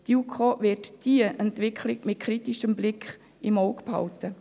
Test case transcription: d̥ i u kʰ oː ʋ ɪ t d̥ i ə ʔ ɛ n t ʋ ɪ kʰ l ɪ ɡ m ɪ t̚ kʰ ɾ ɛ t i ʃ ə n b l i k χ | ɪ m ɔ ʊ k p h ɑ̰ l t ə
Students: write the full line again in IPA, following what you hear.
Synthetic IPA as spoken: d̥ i u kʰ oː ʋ ɪ t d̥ i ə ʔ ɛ n t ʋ ɪ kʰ l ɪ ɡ m ɪ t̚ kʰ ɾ i t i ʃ ə m b l ɪ k χ | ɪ m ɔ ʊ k p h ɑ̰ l t ə